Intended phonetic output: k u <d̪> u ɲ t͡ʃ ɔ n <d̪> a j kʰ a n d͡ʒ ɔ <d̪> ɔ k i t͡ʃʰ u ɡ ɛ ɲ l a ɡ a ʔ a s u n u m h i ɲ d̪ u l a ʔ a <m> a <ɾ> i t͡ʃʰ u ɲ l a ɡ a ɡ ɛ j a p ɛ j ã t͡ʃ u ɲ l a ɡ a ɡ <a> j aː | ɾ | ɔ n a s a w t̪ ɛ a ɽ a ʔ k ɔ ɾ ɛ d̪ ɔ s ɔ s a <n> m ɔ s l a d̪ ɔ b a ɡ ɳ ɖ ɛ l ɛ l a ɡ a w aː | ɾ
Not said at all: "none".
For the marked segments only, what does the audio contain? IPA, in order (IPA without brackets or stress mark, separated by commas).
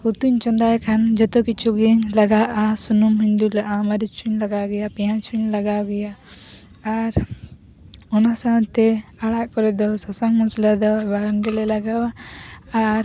t̪, d̪, t̪, m, ɾ, ɛ, ŋ